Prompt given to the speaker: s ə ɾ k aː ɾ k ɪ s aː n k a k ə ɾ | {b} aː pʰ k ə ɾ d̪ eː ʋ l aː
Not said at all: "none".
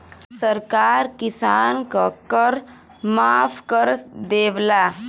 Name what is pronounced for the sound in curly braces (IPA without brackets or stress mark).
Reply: m